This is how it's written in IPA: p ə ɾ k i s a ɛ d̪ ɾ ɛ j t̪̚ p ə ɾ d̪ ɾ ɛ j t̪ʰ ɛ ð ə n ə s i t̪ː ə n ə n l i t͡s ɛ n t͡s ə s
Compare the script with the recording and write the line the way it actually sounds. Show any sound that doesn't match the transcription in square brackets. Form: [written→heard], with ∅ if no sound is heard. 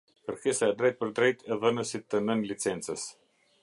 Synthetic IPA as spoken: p ə ɾ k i s a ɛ d̪ ɾ ɛ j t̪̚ p ə ɾ d̪ ɾ ɛ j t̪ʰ ɛ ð ə n ə s i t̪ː ə n ə n l i t͡s ɛ n t͡s ə s